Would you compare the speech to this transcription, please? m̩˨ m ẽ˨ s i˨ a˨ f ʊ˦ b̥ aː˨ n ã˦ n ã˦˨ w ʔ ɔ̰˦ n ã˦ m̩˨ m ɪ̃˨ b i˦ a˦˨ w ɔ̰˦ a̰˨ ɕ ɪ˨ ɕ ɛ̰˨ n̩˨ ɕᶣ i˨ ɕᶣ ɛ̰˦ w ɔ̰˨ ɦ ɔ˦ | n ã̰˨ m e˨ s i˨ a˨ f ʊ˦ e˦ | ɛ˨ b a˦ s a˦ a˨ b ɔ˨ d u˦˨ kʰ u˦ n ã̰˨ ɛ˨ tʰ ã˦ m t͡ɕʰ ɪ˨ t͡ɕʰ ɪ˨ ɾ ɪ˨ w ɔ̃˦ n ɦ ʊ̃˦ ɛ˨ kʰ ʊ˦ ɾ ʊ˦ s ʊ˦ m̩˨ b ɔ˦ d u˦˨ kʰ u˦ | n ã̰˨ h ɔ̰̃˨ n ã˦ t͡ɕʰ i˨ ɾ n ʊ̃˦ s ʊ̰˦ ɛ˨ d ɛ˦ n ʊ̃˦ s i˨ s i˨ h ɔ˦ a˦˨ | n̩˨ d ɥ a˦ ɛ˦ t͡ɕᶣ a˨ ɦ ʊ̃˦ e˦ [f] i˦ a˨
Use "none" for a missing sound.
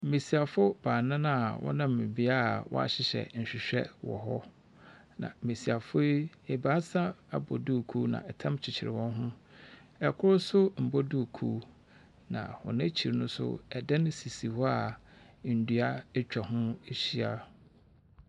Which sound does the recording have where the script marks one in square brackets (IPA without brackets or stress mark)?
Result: ɕ